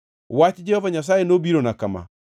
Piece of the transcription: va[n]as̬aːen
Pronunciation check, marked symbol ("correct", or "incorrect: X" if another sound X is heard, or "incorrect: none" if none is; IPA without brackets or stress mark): incorrect: ɲ